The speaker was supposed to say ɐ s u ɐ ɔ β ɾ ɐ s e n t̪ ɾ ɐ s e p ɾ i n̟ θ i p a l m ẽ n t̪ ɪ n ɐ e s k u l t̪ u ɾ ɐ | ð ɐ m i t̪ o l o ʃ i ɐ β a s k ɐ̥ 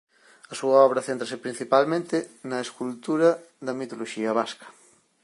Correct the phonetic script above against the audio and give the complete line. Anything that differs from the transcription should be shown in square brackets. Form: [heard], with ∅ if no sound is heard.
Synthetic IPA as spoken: ɐ s u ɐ ɔ β ɾ ɐ [θ] e n t̪ ɾ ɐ s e p ɾ i n̟ θ i p a l m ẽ n t̪ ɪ n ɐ e s k u l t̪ u ɾ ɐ | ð ɐ m i t̪ o l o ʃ i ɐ β a s k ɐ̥